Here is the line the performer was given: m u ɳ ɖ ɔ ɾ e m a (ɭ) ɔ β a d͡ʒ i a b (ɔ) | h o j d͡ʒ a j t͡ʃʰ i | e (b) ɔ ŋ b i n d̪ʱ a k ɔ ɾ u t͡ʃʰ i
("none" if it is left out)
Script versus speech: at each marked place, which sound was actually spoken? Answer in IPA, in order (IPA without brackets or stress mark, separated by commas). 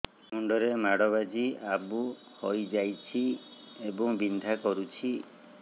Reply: ɽ, u, b